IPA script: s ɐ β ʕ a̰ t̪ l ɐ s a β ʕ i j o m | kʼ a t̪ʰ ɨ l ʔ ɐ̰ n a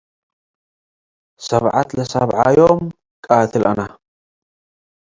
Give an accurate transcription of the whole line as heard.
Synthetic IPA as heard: s ɐ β ʕ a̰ t̪ l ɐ s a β ʕ a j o m | kʼ a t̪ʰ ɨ l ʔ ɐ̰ n a